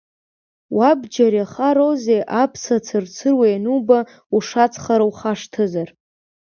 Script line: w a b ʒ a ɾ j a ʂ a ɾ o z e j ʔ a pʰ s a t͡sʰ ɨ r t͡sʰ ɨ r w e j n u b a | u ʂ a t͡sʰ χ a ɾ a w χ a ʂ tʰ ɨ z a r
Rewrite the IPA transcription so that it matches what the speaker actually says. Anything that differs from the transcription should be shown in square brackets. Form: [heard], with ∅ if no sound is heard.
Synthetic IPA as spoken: w a b [d͡ʒ] a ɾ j a [χ] a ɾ o z e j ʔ a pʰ s a t͡sʰ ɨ r t͡sʰ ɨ r w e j n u b a | u ʂ a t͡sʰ χ a ɾ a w χ a ʂ tʰ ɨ z a r